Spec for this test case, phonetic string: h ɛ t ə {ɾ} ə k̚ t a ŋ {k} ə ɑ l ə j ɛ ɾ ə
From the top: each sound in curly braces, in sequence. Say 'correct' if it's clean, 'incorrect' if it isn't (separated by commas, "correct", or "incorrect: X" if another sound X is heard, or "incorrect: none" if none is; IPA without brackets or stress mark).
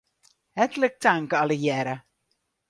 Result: incorrect: l, correct